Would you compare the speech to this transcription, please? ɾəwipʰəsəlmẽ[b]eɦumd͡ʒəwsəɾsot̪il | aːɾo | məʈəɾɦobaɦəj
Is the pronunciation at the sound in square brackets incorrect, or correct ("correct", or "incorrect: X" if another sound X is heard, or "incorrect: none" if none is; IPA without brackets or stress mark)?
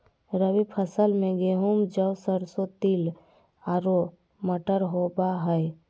incorrect: ɡ